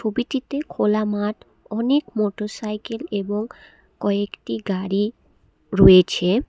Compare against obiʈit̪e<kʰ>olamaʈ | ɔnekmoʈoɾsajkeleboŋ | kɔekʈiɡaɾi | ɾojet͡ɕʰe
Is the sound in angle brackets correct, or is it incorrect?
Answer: correct